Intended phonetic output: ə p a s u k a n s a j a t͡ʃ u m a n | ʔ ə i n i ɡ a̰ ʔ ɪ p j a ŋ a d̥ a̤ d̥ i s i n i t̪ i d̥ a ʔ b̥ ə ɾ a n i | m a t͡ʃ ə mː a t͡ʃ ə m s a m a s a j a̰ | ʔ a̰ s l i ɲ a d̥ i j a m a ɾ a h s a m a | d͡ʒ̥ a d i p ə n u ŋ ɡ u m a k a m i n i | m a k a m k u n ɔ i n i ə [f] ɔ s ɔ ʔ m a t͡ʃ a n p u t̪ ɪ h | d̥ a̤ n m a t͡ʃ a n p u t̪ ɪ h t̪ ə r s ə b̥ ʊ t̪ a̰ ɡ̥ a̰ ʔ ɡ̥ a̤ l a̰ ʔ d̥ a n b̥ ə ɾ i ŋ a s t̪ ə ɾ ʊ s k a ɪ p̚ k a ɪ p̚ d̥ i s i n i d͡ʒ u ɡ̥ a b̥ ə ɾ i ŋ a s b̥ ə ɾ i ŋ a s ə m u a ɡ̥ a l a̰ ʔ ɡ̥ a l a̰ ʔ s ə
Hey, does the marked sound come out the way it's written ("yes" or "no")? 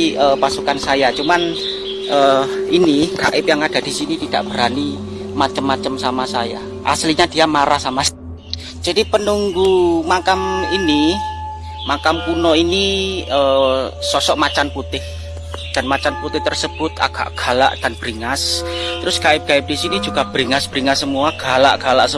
no